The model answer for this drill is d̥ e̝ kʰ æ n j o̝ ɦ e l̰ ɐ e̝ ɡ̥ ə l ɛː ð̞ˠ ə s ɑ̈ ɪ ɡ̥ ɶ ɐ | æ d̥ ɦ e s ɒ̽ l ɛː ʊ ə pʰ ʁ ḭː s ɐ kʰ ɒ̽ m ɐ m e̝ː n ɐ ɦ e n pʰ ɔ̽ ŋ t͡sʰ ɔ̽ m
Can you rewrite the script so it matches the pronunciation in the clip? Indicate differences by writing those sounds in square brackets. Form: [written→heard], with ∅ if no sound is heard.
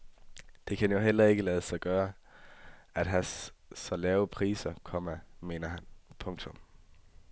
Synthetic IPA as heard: d̥ e̝ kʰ æ n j o̝ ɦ e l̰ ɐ e̝ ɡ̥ ə l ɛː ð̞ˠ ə s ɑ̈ ɪ ɡ̥ [ɶ→ɶː] ɐ | æ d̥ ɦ [e→æ] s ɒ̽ l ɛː ʊ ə pʰ ʁ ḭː s ɐ kʰ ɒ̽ m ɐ m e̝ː n ɐ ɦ [e→æ] n pʰ ɔ̽ ŋ t͡sʰ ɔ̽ m

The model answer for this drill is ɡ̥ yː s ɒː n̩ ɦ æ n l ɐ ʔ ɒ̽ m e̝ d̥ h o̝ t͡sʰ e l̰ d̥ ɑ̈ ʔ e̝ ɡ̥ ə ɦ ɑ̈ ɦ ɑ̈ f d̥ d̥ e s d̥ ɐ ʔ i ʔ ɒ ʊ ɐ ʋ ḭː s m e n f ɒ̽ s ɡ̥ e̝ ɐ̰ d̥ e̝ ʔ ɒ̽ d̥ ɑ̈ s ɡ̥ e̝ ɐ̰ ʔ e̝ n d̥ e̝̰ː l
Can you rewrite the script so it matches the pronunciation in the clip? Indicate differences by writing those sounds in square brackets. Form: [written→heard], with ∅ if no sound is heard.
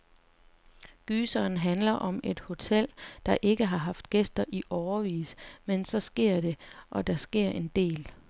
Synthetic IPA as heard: ɡ̥ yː s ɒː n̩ ɦ æ n l ɐ ʔ ɒ̽ m e̝ d̥ h o̝ t͡sʰ e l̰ d̥ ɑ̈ ʔ e̝ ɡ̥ ə ɦ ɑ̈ ɦ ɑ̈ f d̥ [d̥→ɡ̥] e s d̥ ɐ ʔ i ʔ ɒ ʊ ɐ ʋ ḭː s m e n [f→s] ɒ̽ s ɡ̥ e̝ ɐ̰ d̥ e̝ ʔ ɒ̽ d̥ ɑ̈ s ɡ̥ e̝ ɐ̰ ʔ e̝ n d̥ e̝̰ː l

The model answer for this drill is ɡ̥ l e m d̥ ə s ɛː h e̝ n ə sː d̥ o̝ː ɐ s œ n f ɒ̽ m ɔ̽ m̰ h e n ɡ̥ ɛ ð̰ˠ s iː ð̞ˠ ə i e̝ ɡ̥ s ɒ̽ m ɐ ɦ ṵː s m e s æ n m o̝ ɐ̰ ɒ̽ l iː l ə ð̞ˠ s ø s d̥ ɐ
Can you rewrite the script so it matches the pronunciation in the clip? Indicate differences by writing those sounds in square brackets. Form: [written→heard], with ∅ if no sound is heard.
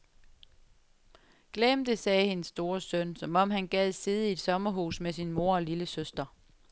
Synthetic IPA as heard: ɡ̥ l e m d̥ ə s ɛː h e̝ n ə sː d̥ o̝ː ɐ s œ n [f→s] ɒ̽ m [ɔ̽→ɒ̽] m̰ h [e→æ] n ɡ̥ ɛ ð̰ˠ s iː ð̞ˠ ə i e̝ [ɡ̥→d̥] s ɒ̽ m ɐ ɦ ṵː s m e s [æ→i] n m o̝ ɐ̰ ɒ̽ l [iː→i] l ə [ð̞ˠ→∅] s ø s d̥ ɐ

